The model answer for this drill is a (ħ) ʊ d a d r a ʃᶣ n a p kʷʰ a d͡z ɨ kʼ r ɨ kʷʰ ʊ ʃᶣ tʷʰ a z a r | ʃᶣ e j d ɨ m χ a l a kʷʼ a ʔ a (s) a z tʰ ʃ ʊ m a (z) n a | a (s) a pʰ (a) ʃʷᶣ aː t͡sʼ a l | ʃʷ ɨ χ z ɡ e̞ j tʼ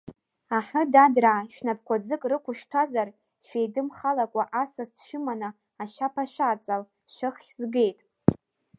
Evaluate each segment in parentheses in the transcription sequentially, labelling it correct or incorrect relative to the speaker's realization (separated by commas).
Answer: correct, correct, incorrect, incorrect, correct